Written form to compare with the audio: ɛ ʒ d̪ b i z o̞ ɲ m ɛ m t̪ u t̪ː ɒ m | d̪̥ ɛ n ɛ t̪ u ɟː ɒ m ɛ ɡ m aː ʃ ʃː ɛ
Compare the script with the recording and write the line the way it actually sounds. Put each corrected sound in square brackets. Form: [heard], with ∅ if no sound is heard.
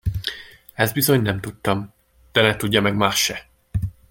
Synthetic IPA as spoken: ɛ [z] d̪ b i z o̞ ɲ [n] ɛ m t̪ u t̪ː ɒ m | d̪̥ ɛ n ɛ t̪ u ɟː ɒ m ɛ ɡ m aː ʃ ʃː ɛ